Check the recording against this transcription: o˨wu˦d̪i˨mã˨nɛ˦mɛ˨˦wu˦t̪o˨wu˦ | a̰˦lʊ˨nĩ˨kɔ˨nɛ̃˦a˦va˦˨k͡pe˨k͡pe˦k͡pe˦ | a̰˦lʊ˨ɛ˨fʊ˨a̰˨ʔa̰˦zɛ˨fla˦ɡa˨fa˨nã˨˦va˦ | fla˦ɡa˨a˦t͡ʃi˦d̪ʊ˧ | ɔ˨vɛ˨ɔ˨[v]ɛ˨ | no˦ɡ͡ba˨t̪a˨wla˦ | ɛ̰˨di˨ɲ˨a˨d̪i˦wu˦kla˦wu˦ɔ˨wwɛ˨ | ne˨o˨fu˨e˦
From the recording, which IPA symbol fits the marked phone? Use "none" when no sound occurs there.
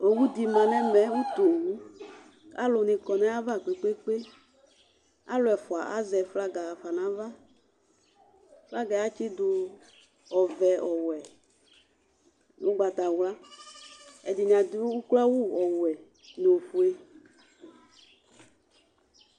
w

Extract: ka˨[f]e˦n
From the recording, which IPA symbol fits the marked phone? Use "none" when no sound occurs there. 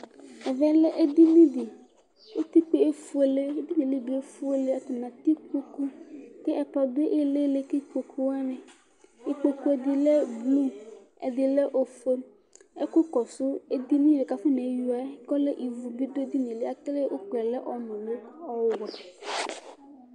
f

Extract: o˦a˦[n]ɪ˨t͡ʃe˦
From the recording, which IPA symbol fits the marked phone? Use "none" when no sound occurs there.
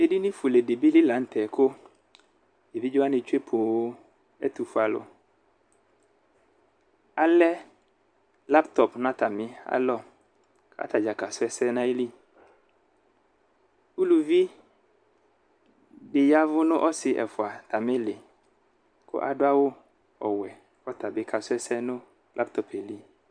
n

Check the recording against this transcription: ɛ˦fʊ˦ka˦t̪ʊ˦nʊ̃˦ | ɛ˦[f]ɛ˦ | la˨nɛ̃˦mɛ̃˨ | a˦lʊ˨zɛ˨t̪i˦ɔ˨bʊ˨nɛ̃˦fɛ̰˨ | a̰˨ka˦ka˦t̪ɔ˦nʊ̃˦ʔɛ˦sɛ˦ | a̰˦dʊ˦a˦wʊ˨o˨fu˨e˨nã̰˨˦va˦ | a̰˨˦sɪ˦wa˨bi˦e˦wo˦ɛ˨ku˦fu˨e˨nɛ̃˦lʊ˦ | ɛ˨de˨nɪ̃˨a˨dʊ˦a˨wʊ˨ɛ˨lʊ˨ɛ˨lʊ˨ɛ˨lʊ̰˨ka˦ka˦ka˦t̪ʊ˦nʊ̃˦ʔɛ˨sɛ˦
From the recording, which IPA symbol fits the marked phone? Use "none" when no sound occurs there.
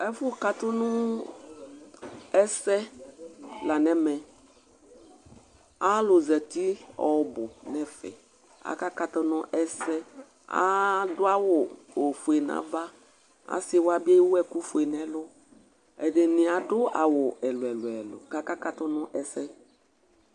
s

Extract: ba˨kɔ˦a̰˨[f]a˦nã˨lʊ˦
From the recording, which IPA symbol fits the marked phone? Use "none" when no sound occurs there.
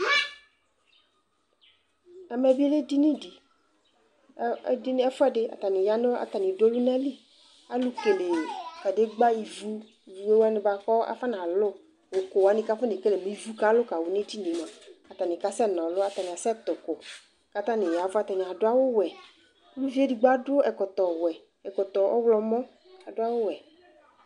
f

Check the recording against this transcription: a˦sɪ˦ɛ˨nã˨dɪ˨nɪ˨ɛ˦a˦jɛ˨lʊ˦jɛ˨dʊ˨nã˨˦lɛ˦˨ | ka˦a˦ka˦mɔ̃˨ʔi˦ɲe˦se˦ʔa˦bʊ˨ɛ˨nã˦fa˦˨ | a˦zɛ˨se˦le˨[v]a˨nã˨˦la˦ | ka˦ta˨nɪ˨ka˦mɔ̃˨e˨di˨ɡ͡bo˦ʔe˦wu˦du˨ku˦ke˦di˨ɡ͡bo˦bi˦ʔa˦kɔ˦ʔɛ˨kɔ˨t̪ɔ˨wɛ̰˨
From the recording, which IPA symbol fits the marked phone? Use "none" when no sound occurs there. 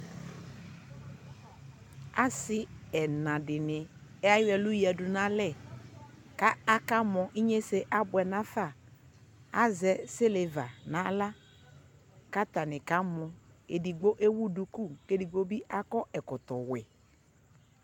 v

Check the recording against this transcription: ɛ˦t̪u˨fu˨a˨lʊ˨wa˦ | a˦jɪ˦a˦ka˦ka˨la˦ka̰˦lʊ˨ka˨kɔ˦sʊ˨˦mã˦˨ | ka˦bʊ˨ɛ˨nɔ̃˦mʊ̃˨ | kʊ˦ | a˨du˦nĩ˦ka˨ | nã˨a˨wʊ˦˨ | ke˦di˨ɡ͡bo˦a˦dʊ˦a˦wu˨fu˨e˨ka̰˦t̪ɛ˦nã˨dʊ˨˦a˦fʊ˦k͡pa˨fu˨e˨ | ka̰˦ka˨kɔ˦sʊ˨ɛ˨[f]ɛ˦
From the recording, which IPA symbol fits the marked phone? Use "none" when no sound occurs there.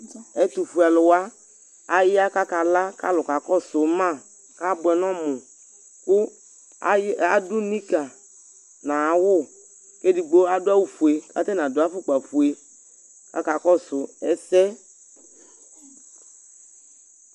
s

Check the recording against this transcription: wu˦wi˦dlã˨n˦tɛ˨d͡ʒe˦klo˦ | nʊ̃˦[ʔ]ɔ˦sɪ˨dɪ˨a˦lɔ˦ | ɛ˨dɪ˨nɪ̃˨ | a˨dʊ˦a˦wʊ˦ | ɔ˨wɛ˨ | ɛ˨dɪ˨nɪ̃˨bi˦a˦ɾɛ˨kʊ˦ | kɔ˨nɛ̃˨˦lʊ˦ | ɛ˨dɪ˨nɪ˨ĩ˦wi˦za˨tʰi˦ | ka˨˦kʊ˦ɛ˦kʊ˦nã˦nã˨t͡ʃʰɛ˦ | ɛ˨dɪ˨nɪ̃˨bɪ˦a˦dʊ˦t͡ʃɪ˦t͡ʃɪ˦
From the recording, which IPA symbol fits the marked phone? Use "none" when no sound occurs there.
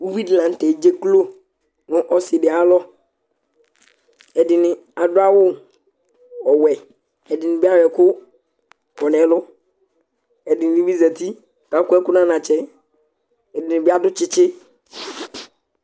ʔ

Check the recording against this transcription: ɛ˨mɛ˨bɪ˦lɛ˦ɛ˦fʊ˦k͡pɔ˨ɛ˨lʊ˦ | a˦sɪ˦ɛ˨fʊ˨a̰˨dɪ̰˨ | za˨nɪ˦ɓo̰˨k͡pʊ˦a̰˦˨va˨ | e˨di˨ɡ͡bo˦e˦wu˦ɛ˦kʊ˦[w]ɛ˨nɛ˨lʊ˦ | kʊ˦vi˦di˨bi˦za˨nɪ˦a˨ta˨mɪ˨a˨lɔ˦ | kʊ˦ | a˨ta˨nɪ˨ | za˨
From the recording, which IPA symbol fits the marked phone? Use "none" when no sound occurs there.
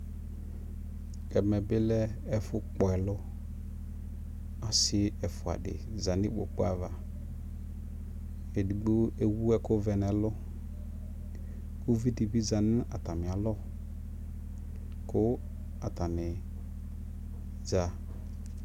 v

